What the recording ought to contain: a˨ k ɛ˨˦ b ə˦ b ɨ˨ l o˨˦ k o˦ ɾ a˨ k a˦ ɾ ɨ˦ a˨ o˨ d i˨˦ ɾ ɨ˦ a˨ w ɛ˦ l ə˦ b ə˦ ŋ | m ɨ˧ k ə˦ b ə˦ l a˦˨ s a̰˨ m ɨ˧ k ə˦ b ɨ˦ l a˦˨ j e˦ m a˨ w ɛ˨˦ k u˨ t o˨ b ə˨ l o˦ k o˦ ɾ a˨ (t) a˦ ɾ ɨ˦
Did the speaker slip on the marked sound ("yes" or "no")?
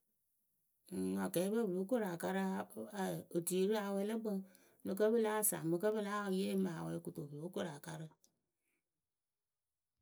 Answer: yes